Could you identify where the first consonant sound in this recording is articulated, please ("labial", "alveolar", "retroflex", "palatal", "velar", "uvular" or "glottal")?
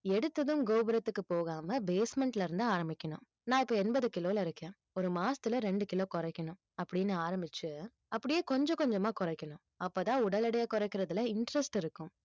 retroflex